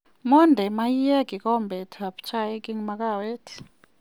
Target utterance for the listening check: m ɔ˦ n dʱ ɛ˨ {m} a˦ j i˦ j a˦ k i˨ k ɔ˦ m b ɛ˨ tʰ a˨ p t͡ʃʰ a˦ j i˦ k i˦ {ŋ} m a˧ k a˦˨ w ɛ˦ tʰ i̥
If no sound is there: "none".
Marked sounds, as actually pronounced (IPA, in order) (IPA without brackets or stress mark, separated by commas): m, ŋ